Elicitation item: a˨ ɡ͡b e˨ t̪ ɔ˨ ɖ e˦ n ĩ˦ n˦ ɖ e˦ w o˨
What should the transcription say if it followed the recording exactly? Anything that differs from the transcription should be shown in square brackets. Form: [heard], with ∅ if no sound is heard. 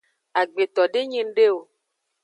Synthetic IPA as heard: a˨ ɡ͡b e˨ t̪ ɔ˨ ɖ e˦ [ɲ] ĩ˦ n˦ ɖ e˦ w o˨